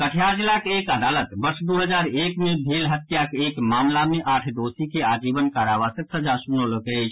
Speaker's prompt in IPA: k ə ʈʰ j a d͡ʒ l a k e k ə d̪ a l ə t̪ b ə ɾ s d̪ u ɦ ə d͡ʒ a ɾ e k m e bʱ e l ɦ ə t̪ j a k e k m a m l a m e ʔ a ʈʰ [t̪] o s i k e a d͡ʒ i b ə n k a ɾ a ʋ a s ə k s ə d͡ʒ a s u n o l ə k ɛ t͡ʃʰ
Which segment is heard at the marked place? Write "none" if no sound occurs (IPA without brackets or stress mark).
d̪